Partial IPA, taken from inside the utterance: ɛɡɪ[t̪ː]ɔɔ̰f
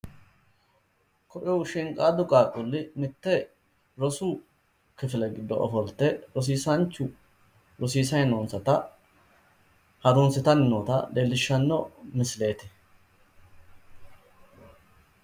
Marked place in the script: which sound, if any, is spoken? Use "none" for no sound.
d̪ː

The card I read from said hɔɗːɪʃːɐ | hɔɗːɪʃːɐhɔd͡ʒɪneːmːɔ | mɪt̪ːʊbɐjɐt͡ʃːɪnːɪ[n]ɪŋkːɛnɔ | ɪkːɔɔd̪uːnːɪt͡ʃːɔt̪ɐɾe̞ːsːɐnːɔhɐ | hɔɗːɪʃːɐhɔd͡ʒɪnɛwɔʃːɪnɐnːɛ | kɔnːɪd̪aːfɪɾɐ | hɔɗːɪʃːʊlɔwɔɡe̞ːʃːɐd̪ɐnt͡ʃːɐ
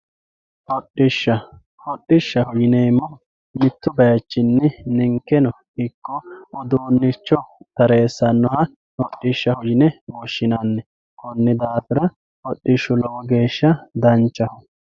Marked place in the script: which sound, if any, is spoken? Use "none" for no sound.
n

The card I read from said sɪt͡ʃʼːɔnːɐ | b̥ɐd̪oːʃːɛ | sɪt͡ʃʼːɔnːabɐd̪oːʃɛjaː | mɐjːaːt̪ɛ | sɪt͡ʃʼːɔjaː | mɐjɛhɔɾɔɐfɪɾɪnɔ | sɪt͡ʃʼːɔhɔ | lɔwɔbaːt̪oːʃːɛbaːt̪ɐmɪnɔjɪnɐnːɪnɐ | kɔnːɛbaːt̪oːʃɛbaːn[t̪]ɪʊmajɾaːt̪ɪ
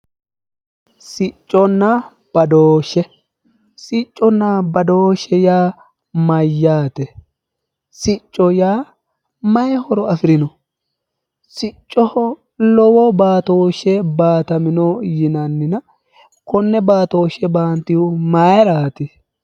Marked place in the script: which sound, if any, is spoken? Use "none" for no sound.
t̪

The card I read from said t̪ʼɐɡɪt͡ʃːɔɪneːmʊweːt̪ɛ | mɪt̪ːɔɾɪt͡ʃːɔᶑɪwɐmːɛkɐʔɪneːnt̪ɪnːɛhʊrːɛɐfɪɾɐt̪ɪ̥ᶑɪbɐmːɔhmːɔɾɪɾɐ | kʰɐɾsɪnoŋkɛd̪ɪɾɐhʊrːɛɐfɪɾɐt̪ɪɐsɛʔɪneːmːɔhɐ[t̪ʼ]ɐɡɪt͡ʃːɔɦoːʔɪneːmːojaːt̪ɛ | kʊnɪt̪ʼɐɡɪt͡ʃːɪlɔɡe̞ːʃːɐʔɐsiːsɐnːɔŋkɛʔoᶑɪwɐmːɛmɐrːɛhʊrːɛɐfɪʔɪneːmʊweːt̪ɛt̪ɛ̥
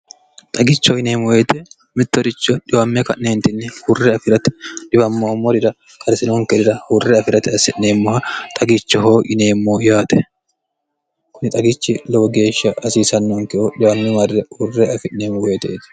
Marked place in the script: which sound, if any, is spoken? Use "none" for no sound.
t̪ʼ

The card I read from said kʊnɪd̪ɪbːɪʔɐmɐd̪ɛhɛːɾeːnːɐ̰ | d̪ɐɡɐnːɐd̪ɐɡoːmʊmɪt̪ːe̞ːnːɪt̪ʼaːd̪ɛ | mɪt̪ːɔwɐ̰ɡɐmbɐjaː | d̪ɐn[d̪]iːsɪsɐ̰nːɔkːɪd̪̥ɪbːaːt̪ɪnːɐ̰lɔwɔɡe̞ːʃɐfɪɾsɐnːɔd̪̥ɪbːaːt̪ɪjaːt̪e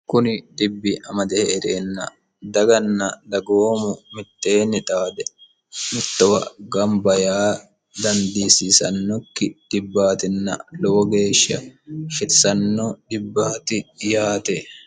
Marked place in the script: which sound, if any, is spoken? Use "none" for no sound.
d̪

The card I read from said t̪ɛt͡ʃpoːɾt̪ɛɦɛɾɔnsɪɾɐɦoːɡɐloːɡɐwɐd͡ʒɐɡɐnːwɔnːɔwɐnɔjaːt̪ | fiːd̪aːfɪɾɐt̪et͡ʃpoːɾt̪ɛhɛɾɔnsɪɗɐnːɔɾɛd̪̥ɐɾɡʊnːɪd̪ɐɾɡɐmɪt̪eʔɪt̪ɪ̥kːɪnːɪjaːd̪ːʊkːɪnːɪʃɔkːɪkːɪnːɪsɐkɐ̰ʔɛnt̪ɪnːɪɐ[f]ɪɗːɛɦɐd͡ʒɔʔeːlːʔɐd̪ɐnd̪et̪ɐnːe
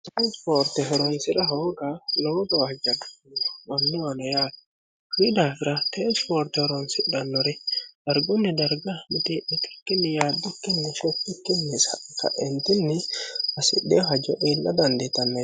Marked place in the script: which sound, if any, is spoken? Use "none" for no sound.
s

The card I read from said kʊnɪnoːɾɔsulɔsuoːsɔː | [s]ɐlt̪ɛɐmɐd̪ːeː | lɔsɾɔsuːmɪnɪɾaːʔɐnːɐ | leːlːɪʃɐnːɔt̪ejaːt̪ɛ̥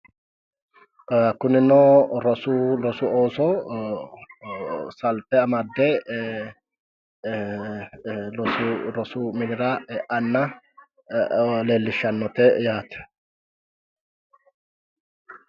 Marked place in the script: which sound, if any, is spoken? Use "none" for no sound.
s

